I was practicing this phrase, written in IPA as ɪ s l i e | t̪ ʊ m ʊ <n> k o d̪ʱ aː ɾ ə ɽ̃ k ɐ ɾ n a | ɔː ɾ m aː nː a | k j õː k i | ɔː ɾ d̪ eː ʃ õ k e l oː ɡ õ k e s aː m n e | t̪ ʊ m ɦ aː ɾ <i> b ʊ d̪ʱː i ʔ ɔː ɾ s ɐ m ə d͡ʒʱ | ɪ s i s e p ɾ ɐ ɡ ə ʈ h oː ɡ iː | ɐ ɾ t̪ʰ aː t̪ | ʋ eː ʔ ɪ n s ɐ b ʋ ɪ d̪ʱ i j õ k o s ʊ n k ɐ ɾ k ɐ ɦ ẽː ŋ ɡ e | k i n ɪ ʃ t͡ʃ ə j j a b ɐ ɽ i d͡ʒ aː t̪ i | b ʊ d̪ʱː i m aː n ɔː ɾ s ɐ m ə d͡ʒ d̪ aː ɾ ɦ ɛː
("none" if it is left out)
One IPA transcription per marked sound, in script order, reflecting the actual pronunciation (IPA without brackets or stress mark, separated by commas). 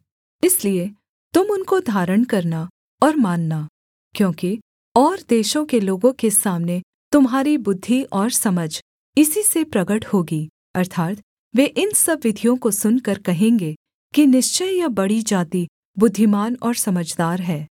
n, i